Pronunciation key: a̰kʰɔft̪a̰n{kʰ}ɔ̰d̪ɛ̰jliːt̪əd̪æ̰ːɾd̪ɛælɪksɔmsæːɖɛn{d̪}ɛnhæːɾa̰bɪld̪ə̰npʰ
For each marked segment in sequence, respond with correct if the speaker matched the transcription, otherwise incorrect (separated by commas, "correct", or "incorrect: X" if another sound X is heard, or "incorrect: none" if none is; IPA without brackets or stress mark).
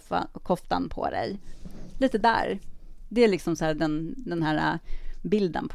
incorrect: pʰ, correct